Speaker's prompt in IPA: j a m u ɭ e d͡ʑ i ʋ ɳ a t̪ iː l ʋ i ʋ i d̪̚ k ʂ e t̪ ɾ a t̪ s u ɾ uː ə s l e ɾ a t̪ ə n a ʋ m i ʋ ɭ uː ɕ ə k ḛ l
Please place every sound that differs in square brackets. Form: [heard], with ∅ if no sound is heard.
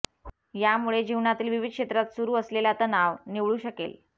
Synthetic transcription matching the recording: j a m u ɭ e d͡ʑ i ʋ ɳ a t̪ iː l ʋ i ʋ i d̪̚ k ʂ e t̪ ɾ a t̪ s u ɾ uː ə s l e [l] a t̪ ə n a ʋ [n] i ʋ ɭ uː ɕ ə k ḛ l